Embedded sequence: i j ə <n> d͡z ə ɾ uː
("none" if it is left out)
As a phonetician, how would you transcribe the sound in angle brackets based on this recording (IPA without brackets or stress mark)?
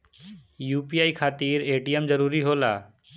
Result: m